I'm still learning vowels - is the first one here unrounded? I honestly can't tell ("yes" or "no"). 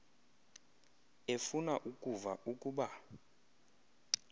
yes